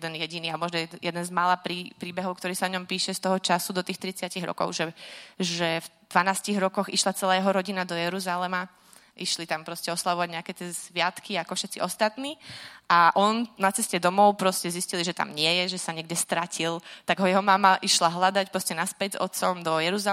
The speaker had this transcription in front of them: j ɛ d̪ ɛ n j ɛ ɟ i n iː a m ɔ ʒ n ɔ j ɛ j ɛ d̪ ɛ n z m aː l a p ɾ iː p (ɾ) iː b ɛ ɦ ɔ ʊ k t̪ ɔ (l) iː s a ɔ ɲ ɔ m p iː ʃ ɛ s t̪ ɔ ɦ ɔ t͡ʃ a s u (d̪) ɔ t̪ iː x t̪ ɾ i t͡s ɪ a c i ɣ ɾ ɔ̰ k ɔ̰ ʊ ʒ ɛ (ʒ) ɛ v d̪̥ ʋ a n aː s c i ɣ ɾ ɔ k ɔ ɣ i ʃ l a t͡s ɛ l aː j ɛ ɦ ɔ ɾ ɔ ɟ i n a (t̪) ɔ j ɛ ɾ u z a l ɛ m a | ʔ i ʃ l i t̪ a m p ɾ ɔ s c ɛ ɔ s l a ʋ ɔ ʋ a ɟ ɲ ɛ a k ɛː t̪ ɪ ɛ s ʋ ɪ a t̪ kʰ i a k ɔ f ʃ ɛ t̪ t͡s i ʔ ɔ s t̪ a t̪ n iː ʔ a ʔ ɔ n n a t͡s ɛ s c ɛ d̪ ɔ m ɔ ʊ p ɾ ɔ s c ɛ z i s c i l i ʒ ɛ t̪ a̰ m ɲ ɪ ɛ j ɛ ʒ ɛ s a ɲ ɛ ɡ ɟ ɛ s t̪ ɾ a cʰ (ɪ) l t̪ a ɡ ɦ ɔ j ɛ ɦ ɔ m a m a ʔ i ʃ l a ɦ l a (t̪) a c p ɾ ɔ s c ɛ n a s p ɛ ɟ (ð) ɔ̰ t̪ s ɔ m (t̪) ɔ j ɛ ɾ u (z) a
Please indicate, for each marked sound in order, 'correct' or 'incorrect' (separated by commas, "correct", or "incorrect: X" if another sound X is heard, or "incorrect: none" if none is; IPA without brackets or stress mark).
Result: correct, incorrect: ɾ, correct, correct, incorrect: d̪, incorrect: i, incorrect: d̪, incorrect: z, incorrect: d̪, correct